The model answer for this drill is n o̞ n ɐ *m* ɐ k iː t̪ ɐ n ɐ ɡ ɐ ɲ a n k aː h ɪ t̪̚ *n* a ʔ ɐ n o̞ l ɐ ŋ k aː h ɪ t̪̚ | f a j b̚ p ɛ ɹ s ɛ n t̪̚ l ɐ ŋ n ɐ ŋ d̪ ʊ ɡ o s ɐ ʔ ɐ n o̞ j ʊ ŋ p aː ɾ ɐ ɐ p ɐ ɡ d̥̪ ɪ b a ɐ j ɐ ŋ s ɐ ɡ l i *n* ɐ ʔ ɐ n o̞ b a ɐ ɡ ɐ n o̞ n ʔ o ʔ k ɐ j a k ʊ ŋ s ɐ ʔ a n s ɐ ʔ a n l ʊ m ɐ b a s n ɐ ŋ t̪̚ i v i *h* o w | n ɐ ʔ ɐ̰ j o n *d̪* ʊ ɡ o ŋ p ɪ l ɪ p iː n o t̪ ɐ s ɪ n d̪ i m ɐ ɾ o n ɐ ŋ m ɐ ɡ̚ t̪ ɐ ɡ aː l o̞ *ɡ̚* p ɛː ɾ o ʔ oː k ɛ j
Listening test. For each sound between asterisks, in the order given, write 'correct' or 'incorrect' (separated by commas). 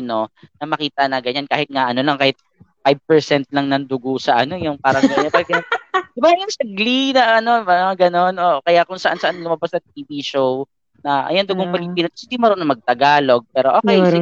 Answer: correct, incorrect, correct, incorrect, correct, correct